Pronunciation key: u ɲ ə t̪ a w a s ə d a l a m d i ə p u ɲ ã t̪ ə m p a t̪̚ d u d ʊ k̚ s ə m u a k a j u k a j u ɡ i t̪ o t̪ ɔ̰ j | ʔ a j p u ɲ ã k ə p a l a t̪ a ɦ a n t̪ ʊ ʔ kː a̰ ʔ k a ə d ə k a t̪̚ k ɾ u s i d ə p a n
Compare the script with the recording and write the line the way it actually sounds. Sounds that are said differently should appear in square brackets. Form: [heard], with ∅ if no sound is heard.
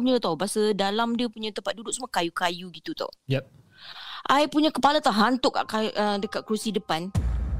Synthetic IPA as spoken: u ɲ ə t̪ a [b] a s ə d a l a m d i ə p u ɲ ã t̪ ə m p a t̪̚ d u d ʊ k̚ s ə m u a k a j u k a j u ɡ i t̪ [u] t̪ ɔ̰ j | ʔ a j p u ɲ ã k ə p a l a t̪ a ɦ a n t̪ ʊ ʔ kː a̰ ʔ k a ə d ə k a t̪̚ k ɾ u s i d ə p a n